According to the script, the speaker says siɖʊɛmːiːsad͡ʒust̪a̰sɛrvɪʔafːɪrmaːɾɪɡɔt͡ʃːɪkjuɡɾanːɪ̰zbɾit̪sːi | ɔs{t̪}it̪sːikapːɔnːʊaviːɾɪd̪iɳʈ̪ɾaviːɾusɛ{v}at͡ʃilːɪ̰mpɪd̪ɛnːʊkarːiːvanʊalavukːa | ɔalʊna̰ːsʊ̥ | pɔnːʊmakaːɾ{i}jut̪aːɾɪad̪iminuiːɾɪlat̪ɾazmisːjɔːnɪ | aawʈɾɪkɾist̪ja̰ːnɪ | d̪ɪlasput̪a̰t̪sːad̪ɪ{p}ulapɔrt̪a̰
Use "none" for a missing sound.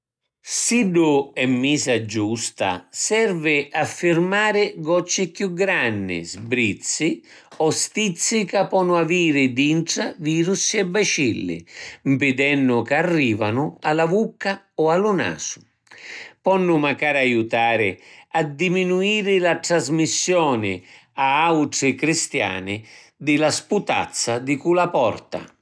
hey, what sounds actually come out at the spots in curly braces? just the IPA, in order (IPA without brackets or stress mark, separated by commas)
t̪, b, a, k